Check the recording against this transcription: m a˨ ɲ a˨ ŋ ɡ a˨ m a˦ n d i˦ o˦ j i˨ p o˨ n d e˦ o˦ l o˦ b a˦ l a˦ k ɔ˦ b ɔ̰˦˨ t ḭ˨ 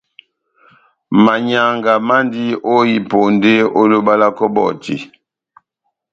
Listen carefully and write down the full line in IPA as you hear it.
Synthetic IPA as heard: m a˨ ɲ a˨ ŋ ɡ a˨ m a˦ n d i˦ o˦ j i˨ p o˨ n d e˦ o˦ l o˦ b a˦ l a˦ k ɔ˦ b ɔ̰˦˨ t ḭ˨